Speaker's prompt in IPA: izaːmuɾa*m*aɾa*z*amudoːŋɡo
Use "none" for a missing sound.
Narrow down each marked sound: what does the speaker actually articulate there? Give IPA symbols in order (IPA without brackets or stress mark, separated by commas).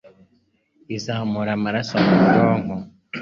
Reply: m, s